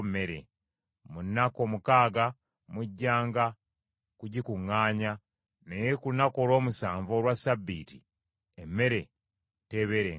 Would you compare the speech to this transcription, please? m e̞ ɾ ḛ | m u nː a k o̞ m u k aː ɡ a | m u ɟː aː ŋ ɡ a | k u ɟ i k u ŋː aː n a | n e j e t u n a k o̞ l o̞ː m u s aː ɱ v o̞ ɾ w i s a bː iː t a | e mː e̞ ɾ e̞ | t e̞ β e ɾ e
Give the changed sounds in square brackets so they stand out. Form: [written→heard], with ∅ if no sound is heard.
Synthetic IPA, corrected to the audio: m e̞ ɾ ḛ | m u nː a k o̞ m u k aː ɡ a | m u ɟː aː ŋ ɡ a | k u ɟ i k u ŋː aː [n→ɲ] a | n e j e [t→k] u n a k o̞ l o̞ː m u s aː ɱ v o̞ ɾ w [i→a] s a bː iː t [a→i] | e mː e̞ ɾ e̞ | t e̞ β e ɾ e

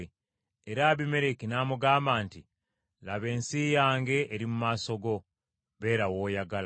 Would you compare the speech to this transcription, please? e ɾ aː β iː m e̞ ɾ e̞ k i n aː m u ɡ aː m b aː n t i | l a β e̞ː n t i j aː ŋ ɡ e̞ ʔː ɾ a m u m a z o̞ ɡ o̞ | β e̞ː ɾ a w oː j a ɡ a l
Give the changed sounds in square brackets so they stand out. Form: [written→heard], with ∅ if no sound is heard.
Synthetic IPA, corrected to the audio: e ɾ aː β [iː→i] m e̞ ɾ e̞ k i n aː m u ɡ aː m b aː n t i | l a β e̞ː n [t→s] i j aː ŋ ɡ e̞ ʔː ɾ [a→i] m u m a [z→s] o̞ ɡ o̞ | β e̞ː ɾ a w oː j a ɡ a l

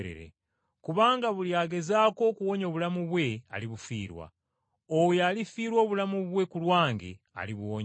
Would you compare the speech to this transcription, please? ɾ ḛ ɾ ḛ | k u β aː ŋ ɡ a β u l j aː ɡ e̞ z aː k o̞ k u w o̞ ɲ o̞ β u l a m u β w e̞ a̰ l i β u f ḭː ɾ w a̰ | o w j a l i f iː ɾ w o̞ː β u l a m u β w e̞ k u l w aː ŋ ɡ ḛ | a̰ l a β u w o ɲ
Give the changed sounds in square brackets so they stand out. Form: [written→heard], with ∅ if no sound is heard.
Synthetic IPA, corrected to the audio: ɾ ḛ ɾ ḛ | k u β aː ŋ ɡ a β u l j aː ɡ e̞ z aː k o̞ k u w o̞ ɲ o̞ β u l a m u β w e̞ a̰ l i β u f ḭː ɾ w a̰ | o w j a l i f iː ɾ w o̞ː β u l a m u β w e̞ k u l w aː ŋ ɡ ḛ | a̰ l [a→i] β u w o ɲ

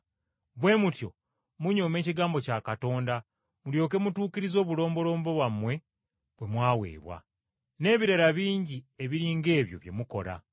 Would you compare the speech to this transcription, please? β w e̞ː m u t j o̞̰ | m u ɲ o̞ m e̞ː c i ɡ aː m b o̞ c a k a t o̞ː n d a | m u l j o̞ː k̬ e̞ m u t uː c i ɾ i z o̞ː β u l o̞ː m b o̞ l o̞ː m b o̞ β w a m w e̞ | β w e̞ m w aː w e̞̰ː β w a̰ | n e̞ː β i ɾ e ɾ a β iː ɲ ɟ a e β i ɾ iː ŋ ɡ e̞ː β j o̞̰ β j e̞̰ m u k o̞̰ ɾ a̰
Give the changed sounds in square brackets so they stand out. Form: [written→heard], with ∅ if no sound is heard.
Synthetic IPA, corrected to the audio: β w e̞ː m u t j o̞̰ | m u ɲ o̞ m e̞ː c i ɡ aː m b o̞ c a k a t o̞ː n d a | m u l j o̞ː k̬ e̞ m u t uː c i ɾ i z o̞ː β u l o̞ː m b o̞ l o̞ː m b o̞ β w a m w e̞ | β w e̞ m w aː w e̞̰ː β w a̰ | n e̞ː β i ɾ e ɾ a β iː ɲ ɟ [a→i] e β i ɾ iː ŋ ɡ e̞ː β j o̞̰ β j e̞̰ m u k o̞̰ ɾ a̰

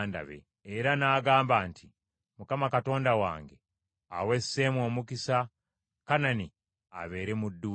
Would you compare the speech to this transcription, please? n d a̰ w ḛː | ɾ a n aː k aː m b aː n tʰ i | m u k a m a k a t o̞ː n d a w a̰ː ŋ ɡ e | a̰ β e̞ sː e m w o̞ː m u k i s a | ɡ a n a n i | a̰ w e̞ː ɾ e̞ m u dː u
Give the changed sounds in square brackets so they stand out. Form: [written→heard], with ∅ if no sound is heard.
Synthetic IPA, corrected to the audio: n d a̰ [w→β] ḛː | ɾ a n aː [k→ɡ] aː m b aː n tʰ i | m u k a m a k a t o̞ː n d a w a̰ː ŋ ɡ e | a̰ [β→w] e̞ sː e m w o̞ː m u k i s a | [ɡ→k] a n a n i | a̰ [w→β] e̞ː ɾ e̞ m u dː u

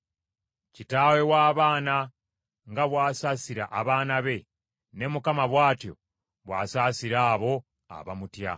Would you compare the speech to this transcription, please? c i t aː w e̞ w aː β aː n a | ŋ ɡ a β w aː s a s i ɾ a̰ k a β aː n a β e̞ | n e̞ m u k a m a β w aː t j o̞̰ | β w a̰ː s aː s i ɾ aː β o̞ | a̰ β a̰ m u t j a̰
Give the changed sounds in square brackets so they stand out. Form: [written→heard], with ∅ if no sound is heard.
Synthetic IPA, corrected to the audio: c i t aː w e̞ w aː β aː n a | ŋ ɡ a β w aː s a s i ɾ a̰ [k→ʔ] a β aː n a β e̞ | n e̞ m u k a m a β w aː t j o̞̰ | β w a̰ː s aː s i ɾ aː β o̞ | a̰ β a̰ m u t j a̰

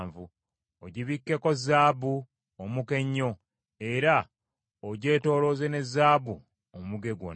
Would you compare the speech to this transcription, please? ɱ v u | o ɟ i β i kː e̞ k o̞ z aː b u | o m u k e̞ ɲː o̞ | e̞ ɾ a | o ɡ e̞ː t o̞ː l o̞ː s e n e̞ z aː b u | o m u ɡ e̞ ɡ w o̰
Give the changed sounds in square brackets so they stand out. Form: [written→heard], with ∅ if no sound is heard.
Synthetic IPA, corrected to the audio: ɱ v u | o ɟ i β i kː e̞ k o̞ z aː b u | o m u k e̞ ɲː o̞ | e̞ ɾ a | o [ɡ→ɟ] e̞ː t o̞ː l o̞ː [s→z] e n e̞ z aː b u | o m u ɡ e̞ ɡ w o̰

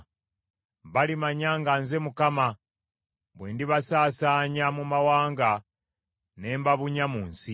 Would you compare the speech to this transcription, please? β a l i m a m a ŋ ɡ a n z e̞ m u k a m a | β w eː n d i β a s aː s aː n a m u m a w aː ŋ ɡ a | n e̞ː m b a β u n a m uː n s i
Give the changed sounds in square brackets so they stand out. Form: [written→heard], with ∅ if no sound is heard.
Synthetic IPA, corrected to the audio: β a l i m a [m→ɲ] a ŋ ɡ a n z e̞ m u k a m a | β w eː n d i β a s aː s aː [n→ɲ] a m u m a w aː ŋ ɡ a | n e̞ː m b a β u [n→ɲ] a m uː n s i

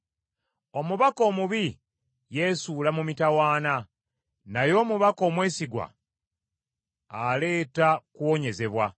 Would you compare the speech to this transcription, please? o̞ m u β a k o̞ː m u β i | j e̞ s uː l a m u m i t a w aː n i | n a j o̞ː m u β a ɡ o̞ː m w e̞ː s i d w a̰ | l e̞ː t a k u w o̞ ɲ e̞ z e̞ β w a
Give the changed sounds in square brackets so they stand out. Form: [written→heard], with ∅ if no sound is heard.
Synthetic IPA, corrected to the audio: o̞ m u β a k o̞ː m u β i | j e̞ s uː l a m u m i t a w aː n [i→a] | n a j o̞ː m u β a [ɡ→k] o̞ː m w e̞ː s i [d→ɡ] w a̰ | l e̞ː t a k u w o̞ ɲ e̞ z e̞ β w a

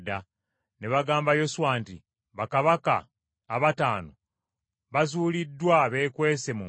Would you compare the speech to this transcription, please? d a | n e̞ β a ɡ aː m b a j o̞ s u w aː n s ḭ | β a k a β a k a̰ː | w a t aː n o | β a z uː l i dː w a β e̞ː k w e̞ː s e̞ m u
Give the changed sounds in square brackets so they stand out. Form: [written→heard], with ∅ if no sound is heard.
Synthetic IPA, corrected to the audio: d a | n e̞ β a ɡ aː m b a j o̞ s u w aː n [s→t] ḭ | β a k a β a k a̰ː | [w→β] a t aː n o | β a z uː l i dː w a β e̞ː k w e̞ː s e̞ m u

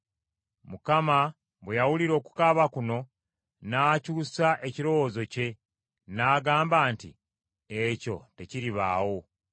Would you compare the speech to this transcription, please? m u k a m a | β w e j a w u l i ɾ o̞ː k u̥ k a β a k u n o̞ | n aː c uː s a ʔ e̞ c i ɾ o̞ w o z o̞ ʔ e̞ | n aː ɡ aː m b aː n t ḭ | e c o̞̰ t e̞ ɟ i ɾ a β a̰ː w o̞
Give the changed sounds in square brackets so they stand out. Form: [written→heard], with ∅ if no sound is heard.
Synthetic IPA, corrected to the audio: m u k a m a | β w e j a w u l i ɾ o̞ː k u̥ k a β a k u n o̞ | n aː c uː s a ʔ e̞ c i ɾ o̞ w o z o̞ [ʔ→c] e̞ | n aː ɡ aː m b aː n t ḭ | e c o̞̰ t e̞ [ɟ→c] i ɾ [a→i] β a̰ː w o̞

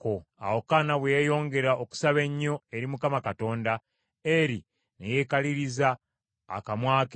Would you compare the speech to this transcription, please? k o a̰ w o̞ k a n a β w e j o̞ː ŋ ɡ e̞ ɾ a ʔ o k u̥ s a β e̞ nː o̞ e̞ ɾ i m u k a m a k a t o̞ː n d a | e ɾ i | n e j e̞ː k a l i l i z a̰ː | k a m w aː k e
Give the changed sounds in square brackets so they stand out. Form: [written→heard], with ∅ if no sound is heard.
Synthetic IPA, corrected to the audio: k o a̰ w o̞ k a n a β w e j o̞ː ŋ ɡ e̞ ɾ a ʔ o k u̥ s a β e̞ [nː→ɲː] o̞ e̞ ɾ i m u k a m a k a t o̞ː n d a | e ɾ i | n e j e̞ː k a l i [l→ɾ] i z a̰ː | k a m w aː k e

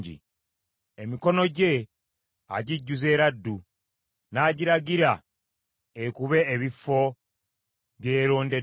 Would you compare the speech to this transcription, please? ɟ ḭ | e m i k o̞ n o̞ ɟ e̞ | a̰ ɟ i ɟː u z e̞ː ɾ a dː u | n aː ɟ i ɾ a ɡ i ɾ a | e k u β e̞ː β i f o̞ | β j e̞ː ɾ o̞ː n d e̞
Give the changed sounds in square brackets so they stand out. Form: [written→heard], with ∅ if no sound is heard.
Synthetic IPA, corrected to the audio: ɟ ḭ | e m i k o̞ n o̞ ɟ e̞ | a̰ ɟ i ɟː u z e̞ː ɾ a dː u | n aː ɟ i ɾ a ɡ i ɾ a | e k u β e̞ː β i f o̞ | β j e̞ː ɾ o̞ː n d e̞

